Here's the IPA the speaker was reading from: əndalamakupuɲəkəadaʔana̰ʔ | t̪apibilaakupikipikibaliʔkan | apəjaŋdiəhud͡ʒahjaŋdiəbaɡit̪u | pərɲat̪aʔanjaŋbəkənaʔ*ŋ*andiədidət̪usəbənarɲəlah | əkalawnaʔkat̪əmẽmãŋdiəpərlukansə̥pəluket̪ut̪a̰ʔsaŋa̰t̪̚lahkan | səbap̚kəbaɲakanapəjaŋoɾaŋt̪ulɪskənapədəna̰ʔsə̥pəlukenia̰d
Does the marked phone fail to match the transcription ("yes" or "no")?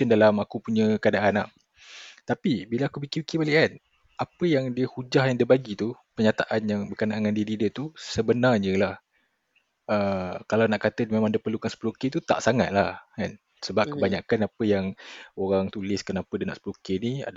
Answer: no